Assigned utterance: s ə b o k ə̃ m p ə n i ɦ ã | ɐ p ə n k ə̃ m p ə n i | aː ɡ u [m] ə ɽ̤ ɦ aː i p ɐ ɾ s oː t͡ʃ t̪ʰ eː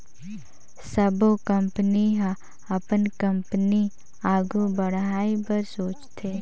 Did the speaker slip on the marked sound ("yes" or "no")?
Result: yes